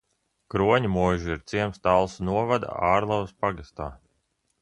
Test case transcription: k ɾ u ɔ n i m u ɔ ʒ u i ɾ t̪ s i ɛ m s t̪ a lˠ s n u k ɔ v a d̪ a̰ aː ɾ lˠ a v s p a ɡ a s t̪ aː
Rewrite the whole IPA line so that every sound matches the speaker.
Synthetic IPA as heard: k ɾ u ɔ ɲ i m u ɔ ʒ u i ɾ t̪ s i ɛ m s t̪ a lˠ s n u ɔ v a d̪ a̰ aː ɾ lˠ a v s p a ɡ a s t̪ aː